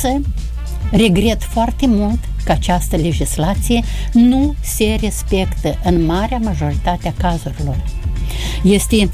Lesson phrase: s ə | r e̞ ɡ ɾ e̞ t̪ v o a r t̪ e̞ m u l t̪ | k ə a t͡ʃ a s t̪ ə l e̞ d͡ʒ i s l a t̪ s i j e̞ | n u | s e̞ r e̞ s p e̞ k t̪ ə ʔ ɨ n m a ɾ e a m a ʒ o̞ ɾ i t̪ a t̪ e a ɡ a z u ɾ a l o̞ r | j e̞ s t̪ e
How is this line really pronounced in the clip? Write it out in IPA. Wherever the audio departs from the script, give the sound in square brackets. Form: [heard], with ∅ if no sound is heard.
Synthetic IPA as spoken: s ə | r e̞ ɡ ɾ e̞ t̪ [f] o a r t̪ e̞ m u l t̪ | k ə a t͡ʃ a s t̪ ə l e̞ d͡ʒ i s l a t̪ s i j e̞ | n u | s e̞ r e̞ s p e̞ k t̪ ə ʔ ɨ n m a ɾ e a m a ʒ o̞ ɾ i t̪ a t̪ e a [k] a z u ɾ [i] l o̞ r | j e̞ s t̪ e